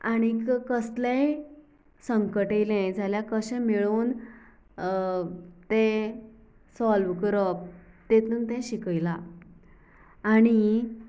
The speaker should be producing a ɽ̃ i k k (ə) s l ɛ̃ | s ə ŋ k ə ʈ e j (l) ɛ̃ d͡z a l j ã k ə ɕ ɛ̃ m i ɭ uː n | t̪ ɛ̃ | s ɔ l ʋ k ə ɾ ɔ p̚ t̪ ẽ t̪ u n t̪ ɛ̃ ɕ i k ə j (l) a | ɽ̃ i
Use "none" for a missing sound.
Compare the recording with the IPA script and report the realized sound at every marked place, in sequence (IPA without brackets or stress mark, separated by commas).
ə, l, l